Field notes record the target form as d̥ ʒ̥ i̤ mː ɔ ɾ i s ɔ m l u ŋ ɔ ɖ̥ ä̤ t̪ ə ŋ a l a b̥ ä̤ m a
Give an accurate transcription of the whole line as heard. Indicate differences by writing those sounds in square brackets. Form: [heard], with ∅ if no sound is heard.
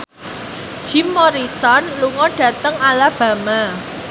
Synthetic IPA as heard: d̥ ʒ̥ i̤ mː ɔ ɾ i s ɔ [n] l u ŋ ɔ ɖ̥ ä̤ t̪ ə ŋ a l a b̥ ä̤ m a